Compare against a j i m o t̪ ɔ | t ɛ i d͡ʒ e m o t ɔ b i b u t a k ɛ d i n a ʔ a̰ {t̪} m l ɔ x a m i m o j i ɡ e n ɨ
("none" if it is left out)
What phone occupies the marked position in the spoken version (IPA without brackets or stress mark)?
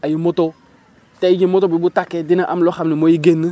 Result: none